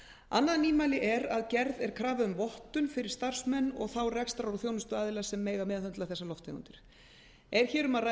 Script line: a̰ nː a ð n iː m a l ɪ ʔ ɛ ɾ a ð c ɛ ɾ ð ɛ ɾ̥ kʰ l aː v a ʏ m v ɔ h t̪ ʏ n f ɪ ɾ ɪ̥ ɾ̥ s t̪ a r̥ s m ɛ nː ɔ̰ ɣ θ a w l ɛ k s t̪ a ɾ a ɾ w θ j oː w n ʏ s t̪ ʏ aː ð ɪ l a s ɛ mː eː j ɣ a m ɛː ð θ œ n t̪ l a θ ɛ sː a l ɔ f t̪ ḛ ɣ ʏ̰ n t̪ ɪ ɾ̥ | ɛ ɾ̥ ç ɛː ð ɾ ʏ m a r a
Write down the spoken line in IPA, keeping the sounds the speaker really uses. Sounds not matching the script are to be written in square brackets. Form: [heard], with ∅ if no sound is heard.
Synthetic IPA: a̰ nː a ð n iː m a l ɪ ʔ ɛ ɾ a ð c ɛ ɾ ð ɛ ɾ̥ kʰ [ɾ] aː v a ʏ m v ɔ h t̪ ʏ n f ɪ ɾ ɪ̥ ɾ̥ s t̪ a r̥ s m ɛ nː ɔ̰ ɣ θ a w [r] ɛ k s t̪ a ɾ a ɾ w θ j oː w n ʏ s t̪ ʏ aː ð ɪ l a s ɛ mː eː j ɣ a m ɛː ð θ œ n t̪ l a θ ɛ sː a l ɔ f t̪ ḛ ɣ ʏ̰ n t̪ ɪ ɾ̥ | ɛ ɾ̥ ç ɛː [∅] ɾ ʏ m a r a